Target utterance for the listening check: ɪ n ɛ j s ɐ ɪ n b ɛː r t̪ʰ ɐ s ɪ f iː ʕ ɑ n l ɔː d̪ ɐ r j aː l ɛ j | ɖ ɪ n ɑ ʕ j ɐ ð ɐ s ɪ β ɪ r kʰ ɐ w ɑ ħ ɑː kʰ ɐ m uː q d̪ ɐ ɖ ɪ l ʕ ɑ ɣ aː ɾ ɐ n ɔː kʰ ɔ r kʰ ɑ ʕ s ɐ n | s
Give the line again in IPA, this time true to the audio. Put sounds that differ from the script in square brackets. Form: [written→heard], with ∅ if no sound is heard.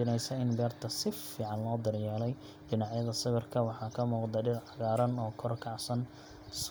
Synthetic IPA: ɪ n ɛ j s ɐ ɪ n b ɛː r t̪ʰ ɐ s ɪ f iː ʕ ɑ n l ɔː d̪ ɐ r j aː l ɛ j | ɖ ɪ n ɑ ʕ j ɐ ð ɐ s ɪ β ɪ r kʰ ɐ w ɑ ħ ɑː kʰ ɐ m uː q d̪ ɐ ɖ ɪ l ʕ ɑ ɣ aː ɾ ɐ n ɔː kʰ ɔ r kʰ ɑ ʕ s ɐ n | s

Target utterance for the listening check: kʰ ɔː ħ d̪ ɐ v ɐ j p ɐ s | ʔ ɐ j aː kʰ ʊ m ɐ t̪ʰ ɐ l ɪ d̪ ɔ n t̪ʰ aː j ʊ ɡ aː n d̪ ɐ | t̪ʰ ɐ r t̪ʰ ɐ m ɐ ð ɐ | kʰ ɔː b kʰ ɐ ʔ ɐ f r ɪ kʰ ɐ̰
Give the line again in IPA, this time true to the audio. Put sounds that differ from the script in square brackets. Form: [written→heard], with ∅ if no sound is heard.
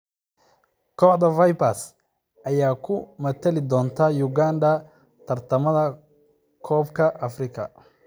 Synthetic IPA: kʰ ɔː ħ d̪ ɐ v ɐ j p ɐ s | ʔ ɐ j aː kʰ ʊ m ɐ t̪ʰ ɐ l ɪ d̪ [ɔ→ɔː] n t̪ʰ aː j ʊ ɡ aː n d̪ ɐ | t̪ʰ ɐ r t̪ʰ ɐ m ɐ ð ɐ | kʰ ɔː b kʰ ɐ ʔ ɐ f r ɪ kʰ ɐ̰

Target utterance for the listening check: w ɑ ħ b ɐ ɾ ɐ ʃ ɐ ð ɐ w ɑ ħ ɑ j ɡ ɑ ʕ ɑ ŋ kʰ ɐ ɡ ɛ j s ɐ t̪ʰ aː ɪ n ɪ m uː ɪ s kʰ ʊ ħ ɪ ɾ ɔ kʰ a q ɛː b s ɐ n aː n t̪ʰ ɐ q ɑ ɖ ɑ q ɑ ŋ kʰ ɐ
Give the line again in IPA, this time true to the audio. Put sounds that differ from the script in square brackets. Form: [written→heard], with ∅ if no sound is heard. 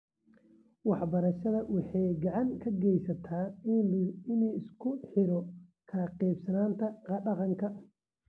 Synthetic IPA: w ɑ ħ b ɐ ɾ ɐ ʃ ɐ ð ɐ w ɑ ħ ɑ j ɡ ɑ ʕ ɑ ŋ kʰ ɐ ɡ ɛ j s ɐ t̪ʰ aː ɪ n ɪ [m→n] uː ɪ s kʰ ʊ ħ ɪ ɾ ɔ kʰ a q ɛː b s ɐ n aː n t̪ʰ ɐ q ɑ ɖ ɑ q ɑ ŋ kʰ ɐ

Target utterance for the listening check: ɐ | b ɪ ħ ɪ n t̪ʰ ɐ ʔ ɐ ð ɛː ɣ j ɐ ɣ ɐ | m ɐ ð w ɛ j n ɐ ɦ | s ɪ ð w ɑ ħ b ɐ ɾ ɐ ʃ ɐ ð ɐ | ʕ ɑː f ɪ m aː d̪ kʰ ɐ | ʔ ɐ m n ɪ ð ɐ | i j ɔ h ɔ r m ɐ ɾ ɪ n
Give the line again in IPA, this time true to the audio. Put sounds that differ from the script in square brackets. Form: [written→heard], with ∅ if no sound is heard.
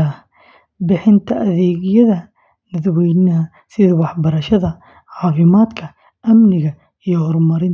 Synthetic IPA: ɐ | b ɪ ħ ɪ n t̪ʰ ɐ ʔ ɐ ð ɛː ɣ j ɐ [ɣ→ð] ɐ | [m→n] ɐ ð w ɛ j n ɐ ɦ | s ɪ ð w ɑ ħ b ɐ ɾ ɐ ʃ ɐ ð ɐ | ʕ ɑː f ɪ m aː d̪ kʰ ɐ | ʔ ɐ m n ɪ [ð→ɣ] ɐ | i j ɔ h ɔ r m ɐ ɾ ɪ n

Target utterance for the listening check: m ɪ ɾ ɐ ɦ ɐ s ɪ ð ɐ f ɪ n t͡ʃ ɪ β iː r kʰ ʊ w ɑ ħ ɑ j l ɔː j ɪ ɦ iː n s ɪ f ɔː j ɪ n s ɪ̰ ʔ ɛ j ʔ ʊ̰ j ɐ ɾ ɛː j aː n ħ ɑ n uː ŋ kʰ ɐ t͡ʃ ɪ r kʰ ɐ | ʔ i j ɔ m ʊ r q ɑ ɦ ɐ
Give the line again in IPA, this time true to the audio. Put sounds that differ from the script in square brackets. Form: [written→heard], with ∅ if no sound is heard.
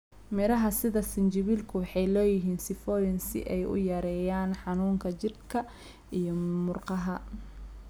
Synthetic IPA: m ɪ ɾ ɐ ɦ ɐ s ɪ ð ɐ [f→s] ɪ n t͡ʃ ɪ β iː [r→l] kʰ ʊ w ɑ ħ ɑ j l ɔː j ɪ ɦ iː n s ɪ f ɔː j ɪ n s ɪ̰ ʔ ɛ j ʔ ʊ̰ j ɐ ɾ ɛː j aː n ħ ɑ n uː ŋ kʰ ɐ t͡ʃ ɪ r kʰ ɐ | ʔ i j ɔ m ʊ r q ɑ ɦ ɐ

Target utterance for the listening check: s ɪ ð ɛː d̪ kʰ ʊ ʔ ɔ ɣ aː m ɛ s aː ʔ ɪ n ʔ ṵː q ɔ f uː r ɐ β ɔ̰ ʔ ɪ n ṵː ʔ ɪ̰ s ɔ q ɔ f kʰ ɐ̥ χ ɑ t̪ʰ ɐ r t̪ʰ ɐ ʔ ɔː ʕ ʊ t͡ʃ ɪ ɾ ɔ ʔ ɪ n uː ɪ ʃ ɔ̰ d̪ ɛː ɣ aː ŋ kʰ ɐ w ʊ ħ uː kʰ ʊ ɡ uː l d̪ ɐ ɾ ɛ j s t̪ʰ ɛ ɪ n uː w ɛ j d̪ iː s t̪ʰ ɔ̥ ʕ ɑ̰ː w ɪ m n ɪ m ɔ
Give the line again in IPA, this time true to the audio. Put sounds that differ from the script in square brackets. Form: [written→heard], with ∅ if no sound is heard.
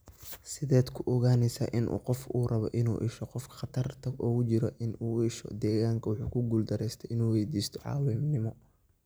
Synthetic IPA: s ɪ ð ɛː d̪ kʰ ʊ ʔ ɔ ɣ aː [m→n] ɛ s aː ʔ ɪ n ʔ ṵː q ɔ f uː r ɐ β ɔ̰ ʔ ɪ n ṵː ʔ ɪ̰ [s→ʃ] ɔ q ɔ f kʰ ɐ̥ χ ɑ t̪ʰ ɐ r t̪ʰ ɐ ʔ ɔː [ʕ→ɣ] ʊ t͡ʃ ɪ ɾ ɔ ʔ ɪ n uː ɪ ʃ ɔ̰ d̪ ɛː ɣ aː ŋ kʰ ɐ w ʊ ħ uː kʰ ʊ ɡ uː l d̪ ɐ ɾ ɛ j s t̪ʰ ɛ ɪ n uː w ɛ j d̪ iː s t̪ʰ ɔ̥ ʕ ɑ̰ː w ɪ m n ɪ m ɔ

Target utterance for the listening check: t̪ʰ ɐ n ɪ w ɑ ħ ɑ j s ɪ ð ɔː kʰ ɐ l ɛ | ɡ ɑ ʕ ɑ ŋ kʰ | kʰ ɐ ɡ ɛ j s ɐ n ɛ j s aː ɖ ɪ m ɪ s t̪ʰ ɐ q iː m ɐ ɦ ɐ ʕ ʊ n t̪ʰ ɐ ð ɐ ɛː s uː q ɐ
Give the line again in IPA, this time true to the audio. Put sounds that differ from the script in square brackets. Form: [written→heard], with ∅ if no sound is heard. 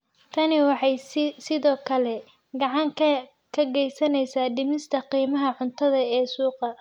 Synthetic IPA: t̪ʰ ɐ n ɪ w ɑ ħ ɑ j s ɪ ð ɔː kʰ ɐ l ɛ | ɡ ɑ ʕ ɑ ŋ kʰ | kʰ ɐ ɡ ɛ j s ɐ n ɛ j s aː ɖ ɪ m ɪ s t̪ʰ ɐ q iː m ɐ ɦ ɐ ʕ ʊ n t̪ʰ ɐ ð ɐ ɛː s uː q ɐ

